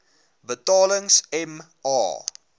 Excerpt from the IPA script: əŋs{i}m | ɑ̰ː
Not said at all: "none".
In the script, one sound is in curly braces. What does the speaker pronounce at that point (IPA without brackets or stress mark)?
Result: ɛ